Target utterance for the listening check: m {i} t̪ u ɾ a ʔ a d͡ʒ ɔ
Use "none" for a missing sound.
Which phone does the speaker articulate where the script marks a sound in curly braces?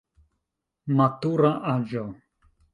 a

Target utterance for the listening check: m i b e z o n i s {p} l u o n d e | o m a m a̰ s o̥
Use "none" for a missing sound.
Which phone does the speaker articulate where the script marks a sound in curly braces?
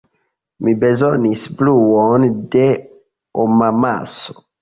b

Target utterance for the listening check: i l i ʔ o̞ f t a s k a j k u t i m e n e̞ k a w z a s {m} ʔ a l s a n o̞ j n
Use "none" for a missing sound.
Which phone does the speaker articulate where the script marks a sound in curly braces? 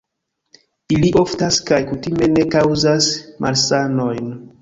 m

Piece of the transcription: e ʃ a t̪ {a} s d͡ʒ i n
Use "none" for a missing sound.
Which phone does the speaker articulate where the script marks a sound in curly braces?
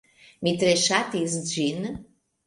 i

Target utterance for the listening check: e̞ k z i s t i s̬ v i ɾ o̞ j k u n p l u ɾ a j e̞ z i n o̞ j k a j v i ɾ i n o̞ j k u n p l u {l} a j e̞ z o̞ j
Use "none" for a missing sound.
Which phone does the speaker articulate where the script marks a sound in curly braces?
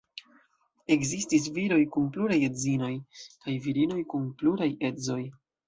ɾ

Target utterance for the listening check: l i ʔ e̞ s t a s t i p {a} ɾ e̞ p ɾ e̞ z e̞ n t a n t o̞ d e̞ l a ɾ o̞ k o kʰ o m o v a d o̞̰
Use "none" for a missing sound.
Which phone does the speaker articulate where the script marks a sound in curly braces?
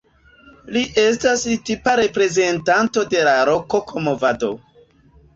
a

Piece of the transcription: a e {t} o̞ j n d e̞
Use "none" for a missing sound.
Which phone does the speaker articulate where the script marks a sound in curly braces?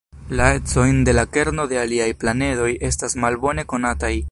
t͡s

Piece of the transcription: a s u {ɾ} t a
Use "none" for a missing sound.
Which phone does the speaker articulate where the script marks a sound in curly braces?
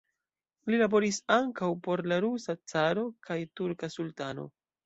l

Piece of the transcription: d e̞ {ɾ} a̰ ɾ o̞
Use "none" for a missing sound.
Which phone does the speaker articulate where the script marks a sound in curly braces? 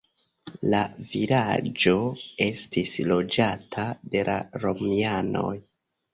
l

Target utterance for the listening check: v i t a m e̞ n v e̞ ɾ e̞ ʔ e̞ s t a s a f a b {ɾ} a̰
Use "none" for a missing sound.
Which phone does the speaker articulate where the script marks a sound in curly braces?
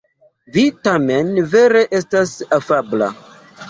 l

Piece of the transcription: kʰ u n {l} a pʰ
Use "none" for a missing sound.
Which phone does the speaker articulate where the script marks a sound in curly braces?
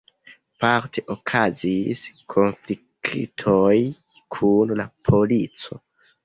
l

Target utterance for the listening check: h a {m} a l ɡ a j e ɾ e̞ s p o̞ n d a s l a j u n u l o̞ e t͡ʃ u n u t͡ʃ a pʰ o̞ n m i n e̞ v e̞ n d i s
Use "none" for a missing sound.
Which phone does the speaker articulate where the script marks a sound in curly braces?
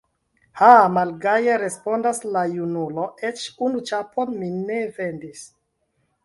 m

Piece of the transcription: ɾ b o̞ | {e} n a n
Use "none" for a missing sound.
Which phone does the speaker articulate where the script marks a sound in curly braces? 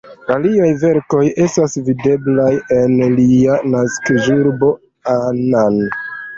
a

